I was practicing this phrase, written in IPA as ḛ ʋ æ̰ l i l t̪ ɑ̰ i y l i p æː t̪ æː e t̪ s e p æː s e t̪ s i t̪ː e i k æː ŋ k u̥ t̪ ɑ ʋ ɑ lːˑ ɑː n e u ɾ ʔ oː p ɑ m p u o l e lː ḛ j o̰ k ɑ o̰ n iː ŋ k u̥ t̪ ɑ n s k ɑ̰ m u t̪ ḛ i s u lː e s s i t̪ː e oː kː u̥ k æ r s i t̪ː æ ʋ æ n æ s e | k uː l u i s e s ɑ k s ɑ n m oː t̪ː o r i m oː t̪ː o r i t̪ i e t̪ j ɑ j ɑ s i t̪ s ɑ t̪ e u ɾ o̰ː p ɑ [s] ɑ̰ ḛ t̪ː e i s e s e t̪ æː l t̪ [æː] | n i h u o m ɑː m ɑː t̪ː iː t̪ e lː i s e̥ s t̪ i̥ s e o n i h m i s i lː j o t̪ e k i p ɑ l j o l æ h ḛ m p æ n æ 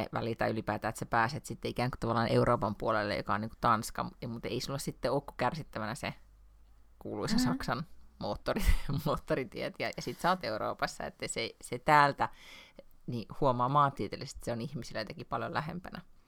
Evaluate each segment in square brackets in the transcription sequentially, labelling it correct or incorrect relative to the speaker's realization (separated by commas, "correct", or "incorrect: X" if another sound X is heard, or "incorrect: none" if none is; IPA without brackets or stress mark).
incorrect: sː, incorrect: æ